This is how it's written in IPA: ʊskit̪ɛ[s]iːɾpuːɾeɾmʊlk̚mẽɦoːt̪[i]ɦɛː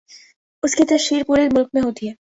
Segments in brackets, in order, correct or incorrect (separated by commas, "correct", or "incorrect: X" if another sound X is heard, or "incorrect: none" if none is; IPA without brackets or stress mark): incorrect: ʃ, correct